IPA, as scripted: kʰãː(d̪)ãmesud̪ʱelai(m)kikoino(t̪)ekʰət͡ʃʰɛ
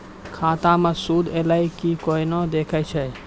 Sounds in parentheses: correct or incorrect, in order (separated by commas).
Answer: incorrect, incorrect, incorrect